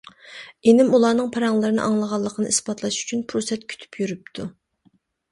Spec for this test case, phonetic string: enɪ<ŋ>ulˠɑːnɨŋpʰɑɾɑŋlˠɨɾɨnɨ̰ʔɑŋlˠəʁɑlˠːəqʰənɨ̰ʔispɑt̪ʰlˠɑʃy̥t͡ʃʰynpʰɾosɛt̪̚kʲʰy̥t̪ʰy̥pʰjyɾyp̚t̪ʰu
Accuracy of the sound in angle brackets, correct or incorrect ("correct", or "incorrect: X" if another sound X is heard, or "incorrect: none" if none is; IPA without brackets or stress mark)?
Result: incorrect: m